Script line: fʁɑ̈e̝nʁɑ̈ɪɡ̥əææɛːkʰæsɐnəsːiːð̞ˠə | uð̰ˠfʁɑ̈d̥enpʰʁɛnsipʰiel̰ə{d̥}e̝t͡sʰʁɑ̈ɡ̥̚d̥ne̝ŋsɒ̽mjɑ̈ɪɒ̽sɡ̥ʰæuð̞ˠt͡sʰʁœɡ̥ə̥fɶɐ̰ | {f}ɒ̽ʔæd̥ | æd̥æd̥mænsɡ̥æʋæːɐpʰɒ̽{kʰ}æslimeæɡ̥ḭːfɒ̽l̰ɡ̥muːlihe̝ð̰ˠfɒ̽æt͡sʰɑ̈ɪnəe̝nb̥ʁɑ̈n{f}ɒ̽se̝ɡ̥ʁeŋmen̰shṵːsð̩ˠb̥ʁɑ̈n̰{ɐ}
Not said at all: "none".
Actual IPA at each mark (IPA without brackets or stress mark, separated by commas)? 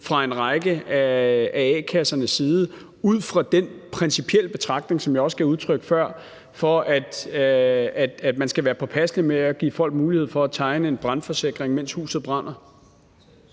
b̥, f, pʰ, f, ɐ